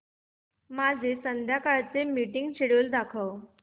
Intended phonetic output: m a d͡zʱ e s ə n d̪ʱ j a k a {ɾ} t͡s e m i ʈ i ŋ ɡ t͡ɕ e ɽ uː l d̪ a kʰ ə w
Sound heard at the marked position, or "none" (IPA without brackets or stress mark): ɭ